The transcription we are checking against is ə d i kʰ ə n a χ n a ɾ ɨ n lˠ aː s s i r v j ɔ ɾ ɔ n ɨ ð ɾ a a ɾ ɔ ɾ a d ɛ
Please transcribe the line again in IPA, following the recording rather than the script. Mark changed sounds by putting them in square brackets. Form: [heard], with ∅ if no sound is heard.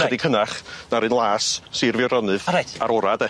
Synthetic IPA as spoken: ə d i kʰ ə n a χ n a ɾ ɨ n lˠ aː s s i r v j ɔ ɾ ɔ n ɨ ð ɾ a a ɾ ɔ ɾ a d ɛ